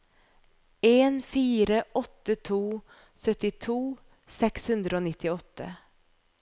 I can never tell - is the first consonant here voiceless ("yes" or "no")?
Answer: no